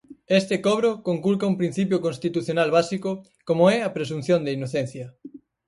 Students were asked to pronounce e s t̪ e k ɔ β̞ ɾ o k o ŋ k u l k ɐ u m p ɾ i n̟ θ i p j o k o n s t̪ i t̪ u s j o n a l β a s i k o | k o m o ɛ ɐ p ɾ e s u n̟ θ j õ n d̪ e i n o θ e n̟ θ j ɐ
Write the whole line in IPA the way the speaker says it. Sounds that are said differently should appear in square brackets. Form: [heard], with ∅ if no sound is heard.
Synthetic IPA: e s t̪ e k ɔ β̞ ɾ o k o ŋ k u l k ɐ u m p ɾ i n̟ θ i p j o k o n s t̪ i t̪ u [θ] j o n a l β a s i k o | k o m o ɛ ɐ p ɾ e s u n̟ θ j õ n d̪ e i n o θ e n̟ θ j ɐ